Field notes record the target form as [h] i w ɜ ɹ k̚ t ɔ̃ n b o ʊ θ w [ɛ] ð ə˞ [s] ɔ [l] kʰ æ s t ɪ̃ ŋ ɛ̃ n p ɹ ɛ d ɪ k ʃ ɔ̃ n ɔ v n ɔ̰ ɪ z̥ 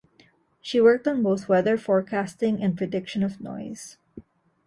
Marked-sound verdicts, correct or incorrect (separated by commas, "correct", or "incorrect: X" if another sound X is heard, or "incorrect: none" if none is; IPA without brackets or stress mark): incorrect: ʃ, correct, incorrect: f, incorrect: ɹ